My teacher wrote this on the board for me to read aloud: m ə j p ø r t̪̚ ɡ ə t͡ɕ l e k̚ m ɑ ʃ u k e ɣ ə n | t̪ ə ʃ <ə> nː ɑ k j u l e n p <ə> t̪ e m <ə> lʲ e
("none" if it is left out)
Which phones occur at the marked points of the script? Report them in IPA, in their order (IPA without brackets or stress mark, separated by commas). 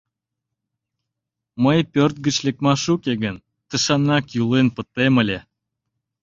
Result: ɑ, ə, ə